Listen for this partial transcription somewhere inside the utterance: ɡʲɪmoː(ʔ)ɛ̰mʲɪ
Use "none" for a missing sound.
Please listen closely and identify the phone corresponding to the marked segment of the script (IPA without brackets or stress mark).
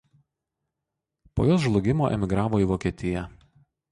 ʔ